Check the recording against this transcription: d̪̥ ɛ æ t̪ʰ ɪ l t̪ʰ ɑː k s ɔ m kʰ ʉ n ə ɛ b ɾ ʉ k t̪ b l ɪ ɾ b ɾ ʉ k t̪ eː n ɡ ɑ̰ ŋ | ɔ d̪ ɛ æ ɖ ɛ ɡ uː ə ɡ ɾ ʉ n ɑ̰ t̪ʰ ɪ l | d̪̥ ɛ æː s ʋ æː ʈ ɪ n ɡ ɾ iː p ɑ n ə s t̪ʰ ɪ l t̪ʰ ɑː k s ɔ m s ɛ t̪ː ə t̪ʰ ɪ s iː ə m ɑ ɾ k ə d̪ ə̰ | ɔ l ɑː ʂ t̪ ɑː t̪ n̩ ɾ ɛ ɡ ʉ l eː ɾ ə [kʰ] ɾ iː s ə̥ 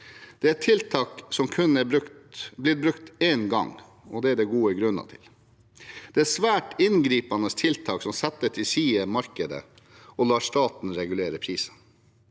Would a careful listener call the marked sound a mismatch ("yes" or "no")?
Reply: yes